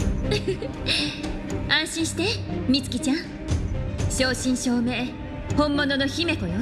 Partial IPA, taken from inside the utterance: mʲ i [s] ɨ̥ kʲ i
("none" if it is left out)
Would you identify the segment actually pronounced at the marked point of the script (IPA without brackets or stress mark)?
t͡s